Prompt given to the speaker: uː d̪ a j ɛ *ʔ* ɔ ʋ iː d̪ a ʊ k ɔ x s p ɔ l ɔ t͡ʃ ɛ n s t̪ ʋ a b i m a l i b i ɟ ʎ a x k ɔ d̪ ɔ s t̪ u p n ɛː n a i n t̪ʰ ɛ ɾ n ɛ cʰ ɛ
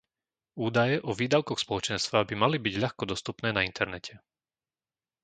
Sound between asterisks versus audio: correct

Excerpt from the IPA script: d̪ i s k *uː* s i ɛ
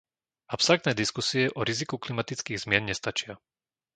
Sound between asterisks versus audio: incorrect: u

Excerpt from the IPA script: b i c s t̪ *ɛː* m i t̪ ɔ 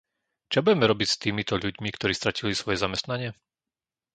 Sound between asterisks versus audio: incorrect: iː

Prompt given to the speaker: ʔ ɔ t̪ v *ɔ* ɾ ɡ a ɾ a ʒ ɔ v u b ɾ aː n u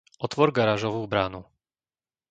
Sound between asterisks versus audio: correct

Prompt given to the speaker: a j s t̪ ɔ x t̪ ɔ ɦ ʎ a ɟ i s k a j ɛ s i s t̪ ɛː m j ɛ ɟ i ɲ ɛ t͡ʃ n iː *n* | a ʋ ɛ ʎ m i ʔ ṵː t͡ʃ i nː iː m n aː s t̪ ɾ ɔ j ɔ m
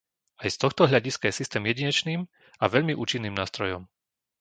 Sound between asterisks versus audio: incorrect: m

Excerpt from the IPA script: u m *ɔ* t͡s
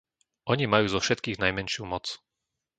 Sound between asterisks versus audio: correct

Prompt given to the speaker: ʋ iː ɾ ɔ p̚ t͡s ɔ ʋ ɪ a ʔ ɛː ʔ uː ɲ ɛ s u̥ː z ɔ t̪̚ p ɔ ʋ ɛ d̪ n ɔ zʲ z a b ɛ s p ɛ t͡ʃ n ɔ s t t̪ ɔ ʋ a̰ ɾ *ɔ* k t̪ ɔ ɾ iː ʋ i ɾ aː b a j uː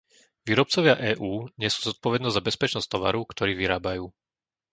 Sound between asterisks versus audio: incorrect: u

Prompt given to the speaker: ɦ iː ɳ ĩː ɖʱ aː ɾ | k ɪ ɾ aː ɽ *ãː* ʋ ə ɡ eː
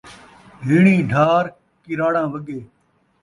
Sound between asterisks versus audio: correct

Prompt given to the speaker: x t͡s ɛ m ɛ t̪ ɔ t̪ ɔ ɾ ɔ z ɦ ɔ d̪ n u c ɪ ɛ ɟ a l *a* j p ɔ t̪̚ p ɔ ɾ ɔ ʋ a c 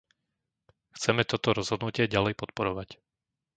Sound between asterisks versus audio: incorrect: ɛ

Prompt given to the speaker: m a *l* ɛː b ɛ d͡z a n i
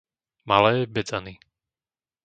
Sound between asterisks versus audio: correct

